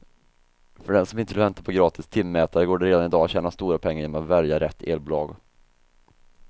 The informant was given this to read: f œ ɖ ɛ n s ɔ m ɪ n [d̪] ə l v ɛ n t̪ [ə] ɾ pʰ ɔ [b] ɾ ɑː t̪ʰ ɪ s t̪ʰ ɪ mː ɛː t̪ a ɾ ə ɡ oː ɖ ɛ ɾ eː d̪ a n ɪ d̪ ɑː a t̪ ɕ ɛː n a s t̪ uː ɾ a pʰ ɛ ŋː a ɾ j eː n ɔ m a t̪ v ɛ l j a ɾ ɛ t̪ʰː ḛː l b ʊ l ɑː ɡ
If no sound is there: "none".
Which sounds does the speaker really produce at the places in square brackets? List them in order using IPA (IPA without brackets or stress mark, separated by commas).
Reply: t̪, a, ɡ